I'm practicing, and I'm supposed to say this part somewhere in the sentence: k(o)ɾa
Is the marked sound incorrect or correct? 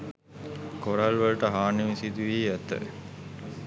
correct